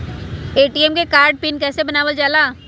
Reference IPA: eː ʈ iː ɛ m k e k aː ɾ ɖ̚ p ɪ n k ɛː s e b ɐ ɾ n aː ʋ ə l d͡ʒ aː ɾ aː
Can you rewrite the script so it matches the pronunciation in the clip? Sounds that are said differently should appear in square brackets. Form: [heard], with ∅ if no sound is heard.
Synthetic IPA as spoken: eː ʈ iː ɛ m k e k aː ɾ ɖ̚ p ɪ n k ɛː s e b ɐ [∅] n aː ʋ ə l d͡ʒ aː [l] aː